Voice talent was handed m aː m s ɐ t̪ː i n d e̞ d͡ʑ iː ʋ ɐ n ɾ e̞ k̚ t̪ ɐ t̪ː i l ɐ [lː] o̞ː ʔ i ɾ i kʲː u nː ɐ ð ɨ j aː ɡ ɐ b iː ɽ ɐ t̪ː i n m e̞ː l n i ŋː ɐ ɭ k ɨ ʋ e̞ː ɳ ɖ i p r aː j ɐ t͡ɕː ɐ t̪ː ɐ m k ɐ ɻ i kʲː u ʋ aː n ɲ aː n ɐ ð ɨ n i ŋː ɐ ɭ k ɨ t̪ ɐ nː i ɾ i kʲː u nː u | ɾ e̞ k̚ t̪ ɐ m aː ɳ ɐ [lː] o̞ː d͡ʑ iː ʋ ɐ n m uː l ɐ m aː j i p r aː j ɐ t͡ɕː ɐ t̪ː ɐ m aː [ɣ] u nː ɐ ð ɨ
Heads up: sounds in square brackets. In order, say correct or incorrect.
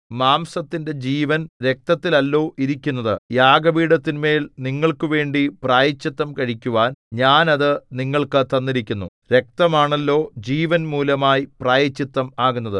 correct, correct, correct

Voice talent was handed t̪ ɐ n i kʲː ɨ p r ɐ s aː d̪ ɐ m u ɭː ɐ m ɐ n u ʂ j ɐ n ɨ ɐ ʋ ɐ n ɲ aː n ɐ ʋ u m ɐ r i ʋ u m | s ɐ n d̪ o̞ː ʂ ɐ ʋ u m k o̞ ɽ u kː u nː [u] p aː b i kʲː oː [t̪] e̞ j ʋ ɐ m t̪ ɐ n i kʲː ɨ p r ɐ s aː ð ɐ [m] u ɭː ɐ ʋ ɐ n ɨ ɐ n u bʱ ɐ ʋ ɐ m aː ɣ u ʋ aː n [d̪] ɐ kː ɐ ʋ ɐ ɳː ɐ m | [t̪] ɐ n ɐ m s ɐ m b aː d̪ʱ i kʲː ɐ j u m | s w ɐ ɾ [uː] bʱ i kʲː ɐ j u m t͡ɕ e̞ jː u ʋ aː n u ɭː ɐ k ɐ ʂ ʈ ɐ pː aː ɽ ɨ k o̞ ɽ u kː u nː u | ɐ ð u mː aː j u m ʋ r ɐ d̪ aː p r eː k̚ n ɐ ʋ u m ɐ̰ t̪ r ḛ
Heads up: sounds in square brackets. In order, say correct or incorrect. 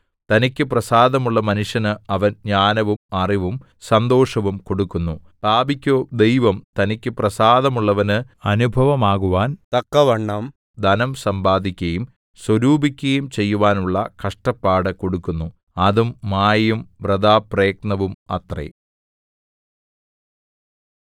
correct, incorrect: d̪, correct, incorrect: t̪, incorrect: d̪, correct

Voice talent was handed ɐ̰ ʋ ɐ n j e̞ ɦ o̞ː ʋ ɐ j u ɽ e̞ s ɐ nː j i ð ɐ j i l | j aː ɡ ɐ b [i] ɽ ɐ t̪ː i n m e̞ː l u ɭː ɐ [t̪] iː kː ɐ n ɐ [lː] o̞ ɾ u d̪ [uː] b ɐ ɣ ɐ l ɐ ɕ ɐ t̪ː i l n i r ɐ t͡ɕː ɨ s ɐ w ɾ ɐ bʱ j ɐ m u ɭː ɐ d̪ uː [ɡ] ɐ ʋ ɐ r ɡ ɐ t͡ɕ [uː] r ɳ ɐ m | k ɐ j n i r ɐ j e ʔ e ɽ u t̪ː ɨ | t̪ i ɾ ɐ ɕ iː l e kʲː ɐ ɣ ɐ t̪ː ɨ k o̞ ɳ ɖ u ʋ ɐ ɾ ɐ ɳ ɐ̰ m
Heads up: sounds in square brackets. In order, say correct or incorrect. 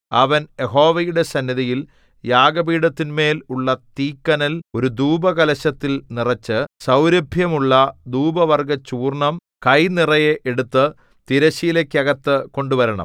incorrect: iː, correct, incorrect: l, correct, incorrect: b, correct

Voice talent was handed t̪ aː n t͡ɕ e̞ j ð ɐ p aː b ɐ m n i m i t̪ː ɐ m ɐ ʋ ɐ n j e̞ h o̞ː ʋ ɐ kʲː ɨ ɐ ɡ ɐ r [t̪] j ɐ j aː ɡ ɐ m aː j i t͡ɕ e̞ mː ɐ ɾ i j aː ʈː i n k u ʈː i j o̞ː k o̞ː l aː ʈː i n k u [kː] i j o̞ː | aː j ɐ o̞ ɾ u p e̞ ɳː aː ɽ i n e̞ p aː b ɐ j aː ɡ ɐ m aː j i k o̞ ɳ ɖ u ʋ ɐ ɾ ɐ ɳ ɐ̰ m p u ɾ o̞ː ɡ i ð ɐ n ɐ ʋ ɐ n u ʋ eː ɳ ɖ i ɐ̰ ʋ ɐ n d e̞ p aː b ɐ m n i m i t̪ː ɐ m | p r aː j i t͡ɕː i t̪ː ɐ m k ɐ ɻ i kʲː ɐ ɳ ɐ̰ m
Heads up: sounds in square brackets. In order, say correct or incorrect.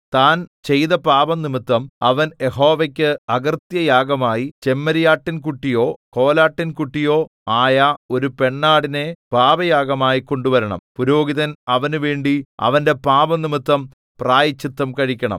correct, incorrect: ʈː

